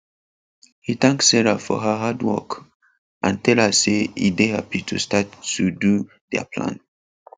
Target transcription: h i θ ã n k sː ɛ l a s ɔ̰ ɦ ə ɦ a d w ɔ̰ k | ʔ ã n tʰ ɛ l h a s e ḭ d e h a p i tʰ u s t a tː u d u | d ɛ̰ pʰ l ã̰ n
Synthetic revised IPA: h i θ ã ŋ k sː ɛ ɹ a f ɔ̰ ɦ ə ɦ a d w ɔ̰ k | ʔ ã n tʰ ɛ l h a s e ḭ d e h a p i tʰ u s t a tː u d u | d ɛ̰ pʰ l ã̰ n